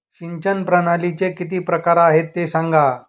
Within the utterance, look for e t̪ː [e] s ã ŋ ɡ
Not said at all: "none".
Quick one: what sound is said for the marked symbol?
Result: e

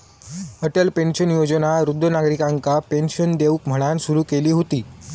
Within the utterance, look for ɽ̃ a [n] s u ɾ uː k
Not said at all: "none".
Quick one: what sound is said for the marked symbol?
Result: n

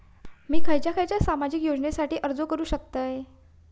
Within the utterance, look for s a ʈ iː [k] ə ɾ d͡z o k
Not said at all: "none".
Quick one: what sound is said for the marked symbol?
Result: ʔ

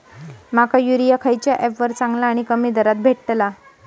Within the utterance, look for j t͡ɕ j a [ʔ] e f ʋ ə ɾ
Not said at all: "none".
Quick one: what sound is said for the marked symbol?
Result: ʔ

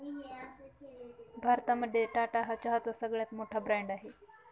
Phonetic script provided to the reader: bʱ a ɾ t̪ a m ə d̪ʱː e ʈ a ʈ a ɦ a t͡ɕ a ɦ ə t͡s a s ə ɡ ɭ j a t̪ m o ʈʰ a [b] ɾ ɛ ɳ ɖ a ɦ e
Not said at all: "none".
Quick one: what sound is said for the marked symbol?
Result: b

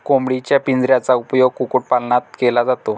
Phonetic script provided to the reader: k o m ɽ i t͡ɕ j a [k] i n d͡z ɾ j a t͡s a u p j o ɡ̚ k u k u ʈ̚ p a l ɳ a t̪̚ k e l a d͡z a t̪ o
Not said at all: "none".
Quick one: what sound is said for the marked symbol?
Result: p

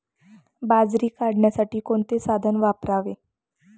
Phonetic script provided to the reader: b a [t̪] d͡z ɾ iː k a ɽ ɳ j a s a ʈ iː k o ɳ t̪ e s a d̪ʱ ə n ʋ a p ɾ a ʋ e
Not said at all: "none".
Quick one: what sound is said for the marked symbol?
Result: none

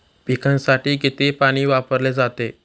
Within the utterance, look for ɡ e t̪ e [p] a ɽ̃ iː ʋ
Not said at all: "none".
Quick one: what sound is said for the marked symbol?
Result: p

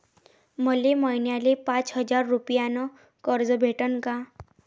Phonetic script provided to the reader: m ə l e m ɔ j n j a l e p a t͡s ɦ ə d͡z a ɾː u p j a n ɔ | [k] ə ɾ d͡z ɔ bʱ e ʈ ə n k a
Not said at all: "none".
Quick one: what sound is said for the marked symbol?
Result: k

